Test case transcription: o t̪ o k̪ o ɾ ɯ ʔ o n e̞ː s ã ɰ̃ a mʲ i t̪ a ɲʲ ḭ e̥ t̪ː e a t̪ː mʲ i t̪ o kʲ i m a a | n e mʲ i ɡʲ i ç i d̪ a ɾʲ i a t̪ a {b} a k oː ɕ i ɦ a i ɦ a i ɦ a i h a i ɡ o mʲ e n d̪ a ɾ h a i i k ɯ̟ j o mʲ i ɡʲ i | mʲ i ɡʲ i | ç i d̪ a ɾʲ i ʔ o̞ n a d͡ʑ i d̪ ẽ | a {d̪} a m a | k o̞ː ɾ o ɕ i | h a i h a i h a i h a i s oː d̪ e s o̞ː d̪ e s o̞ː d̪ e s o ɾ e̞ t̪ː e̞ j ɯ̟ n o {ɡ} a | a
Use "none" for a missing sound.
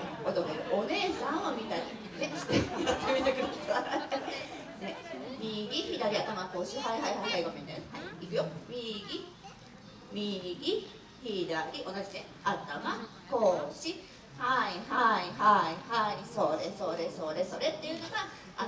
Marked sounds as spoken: m, t̪, ɡ

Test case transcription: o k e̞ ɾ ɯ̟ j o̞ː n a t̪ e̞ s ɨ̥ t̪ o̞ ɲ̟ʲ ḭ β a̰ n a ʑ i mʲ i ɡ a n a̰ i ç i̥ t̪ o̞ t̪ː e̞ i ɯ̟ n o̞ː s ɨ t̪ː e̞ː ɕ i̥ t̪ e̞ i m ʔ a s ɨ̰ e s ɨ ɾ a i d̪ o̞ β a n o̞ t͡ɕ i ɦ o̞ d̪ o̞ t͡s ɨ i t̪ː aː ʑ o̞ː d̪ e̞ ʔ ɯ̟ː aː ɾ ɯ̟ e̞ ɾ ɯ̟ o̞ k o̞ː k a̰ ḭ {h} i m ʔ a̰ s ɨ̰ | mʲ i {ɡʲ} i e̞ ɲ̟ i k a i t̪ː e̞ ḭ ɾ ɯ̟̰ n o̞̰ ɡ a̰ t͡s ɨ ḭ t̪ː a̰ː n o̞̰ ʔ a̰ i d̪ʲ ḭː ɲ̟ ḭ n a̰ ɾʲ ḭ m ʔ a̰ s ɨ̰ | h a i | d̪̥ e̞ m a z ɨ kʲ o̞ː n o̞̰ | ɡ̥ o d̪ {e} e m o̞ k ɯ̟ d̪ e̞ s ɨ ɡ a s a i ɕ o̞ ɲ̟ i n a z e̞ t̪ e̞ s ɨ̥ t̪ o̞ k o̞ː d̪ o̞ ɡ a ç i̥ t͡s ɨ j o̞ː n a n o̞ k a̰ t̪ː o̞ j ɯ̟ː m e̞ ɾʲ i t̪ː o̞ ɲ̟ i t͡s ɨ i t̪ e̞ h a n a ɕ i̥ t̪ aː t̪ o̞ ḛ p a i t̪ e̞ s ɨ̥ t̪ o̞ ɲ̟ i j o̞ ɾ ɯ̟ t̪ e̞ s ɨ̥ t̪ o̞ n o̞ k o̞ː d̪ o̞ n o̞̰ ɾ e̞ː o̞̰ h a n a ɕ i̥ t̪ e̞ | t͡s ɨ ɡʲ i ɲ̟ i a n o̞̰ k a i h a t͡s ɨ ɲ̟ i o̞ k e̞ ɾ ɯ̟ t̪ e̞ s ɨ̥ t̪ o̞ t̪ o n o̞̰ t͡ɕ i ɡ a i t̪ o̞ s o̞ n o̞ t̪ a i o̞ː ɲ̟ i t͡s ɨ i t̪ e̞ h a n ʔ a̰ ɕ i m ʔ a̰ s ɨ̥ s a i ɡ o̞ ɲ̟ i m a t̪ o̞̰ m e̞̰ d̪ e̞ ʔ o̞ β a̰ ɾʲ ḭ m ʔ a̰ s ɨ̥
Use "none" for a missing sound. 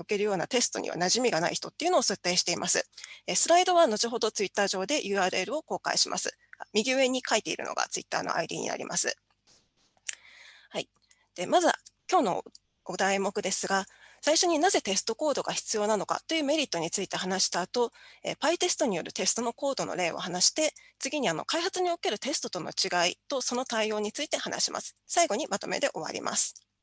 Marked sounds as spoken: ɕ, ɡʲ, a

